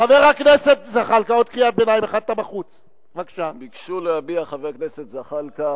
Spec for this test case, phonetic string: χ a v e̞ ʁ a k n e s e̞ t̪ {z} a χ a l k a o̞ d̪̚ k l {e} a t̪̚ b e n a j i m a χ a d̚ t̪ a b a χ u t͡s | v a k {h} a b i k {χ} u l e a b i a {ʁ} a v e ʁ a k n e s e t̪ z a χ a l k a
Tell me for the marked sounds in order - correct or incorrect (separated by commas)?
correct, incorrect, incorrect, incorrect, incorrect